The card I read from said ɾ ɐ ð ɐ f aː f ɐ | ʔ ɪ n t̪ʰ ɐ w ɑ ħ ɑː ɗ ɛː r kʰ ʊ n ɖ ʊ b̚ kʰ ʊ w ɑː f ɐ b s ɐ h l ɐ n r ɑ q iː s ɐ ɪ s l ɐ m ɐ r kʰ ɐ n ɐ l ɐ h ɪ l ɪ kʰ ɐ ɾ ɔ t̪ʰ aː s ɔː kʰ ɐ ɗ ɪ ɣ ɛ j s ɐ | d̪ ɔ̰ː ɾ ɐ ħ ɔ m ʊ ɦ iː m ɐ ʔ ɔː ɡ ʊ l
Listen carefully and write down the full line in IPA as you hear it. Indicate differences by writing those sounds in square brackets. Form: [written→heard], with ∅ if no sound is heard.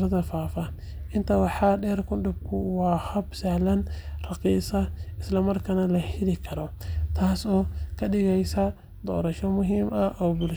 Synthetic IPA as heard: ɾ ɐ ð ɐ f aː f ɐ | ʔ ɪ n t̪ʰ ɐ w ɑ ħ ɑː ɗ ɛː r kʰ ʊ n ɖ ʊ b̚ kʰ ʊ w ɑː [f→h] ɐ b s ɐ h l ɐ n r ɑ q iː s ɐ ɪ s l ɐ m ɐ r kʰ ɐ n ɐ l ɐ h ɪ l ɪ kʰ ɐ ɾ ɔ t̪ʰ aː s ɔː kʰ ɐ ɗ ɪ ɣ ɛ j s ɐ | d̪ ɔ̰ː ɾ ɐ [ħ→ʃ] ɔ m ʊ ɦ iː m ɐ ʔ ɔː [ɡ→b] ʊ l

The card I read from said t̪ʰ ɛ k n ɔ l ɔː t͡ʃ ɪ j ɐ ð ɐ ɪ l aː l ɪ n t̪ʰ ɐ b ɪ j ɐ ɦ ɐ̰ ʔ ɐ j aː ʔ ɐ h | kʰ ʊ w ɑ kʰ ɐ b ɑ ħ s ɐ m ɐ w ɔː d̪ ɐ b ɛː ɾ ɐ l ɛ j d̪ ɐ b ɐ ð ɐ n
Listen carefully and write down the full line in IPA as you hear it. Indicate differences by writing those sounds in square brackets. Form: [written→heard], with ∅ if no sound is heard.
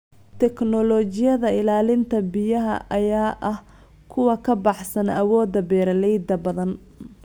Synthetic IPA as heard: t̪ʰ ɛ k n ɔ l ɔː t͡ʃ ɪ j ɐ ð ɐ ɪ l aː l ɪ n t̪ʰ ɐ b ɪ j ɐ ɦ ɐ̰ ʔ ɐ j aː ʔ ɐ h | kʰ ʊ w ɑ kʰ ɐ b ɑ ħ s ɐ [m→n] ɐ w ɔː d̪ ɐ b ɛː ɾ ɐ l ɛ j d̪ ɐ b ɐ ð ɐ n

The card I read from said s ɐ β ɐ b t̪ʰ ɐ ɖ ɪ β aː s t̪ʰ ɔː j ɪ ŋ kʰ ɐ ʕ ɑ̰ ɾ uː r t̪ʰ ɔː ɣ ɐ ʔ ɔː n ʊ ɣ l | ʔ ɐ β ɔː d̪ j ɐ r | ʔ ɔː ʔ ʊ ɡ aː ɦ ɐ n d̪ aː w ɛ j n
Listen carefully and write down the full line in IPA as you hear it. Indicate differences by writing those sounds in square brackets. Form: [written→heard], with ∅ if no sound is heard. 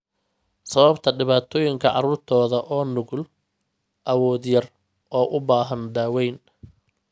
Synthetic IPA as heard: s ɐ β ɐ b t̪ʰ ɐ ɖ ɪ β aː [s→∅] t̪ʰ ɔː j ɪ ŋ kʰ ɐ ʕ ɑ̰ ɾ uː r t̪ʰ ɔː [ɣ→ð] ɐ ʔ ɔː n ʊ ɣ l | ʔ ɐ [β→w] ɔː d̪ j ɐ r | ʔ ɔː ʔ ʊ [ɡ→b] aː ɦ ɐ n d̪ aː w ɛ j n

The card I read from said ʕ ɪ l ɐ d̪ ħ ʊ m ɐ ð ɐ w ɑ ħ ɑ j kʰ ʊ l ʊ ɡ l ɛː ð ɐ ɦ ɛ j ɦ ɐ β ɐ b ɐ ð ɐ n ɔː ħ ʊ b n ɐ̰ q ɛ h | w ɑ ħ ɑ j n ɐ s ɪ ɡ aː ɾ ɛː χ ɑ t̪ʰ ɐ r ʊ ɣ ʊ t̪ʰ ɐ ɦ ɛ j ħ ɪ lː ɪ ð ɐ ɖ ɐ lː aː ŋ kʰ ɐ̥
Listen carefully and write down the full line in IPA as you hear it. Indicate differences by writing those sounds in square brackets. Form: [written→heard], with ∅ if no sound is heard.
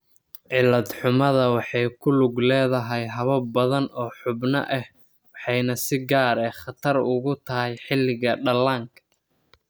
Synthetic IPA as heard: ʕ ɪ l ɐ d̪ ħ ʊ m ɐ ð ɐ w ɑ ħ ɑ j kʰ ʊ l ʊ ɡ l ɛː ð ɐ ɦ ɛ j ɦ ɐ β ɐ b ɐ ð ɐ n ɔː ħ ʊ b n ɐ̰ [q→ʔ] ɛ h | w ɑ ħ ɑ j n ɐ s ɪ ɡ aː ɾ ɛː χ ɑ t̪ʰ ɐ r ʊ ɣ ʊ t̪ʰ ɐ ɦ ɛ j ħ ɪ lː ɪ [ð→ɣ] ɐ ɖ ɐ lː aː ŋ kʰ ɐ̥

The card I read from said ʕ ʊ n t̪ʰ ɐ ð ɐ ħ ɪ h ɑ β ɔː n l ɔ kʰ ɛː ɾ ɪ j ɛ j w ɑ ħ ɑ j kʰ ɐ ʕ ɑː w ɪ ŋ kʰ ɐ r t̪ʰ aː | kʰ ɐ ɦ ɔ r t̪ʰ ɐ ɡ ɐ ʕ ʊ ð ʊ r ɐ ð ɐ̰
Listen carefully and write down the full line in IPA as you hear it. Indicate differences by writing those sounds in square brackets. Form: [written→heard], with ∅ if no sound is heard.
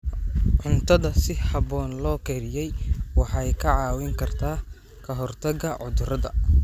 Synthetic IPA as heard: ʕ ʊ n t̪ʰ ɐ ð ɐ [ħ→s] ɪ h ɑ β ɔː n l [ɔ→ɔː] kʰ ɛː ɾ ɪ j ɛ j w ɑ ħ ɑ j kʰ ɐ ʕ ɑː w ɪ ŋ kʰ ɐ r t̪ʰ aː | kʰ ɐ ɦ ɔ r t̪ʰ ɐ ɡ ɐ ʕ ʊ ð ʊ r ɐ ð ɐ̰

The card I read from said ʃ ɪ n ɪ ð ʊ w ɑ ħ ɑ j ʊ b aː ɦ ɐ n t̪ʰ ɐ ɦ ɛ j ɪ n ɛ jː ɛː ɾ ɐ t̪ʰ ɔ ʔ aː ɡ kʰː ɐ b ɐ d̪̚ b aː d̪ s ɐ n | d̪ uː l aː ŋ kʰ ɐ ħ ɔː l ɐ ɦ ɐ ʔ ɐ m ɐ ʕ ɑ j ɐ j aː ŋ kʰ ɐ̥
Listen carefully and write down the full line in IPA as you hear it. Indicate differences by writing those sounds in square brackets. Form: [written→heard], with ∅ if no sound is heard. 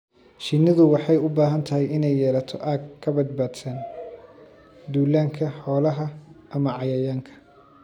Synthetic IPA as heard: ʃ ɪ n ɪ ð ʊ w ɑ ħ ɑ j ʊ b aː ɦ ɐ n t̪ʰ ɐ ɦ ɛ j ɪ n ɛ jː ɛː [ɾ→l] ɐ t̪ʰ ɔ ʔ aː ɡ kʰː ɐ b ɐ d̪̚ b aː d̪ s ɐ n | d̪ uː l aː ŋ kʰ ɐ ħ ɔː l ɐ ɦ ɐ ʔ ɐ m ɐ ʕ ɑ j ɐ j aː ŋ kʰ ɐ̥

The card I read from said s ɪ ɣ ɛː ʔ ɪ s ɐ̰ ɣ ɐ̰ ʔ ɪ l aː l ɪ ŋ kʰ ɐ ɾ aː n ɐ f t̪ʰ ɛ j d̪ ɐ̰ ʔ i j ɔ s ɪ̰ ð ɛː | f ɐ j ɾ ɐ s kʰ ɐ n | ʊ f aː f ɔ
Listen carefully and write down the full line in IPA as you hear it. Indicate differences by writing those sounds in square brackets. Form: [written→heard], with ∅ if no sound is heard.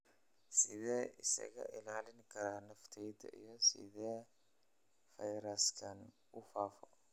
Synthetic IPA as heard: s ɪ [ɣ→ð] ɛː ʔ ɪ s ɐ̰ ɣ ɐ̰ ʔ ɪ l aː l ɪ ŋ kʰ ɐ ɾ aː n ɐ f t̪ʰ ɛ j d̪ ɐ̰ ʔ i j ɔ s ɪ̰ ð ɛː | f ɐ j ɾ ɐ s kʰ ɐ n | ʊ f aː f ɔ

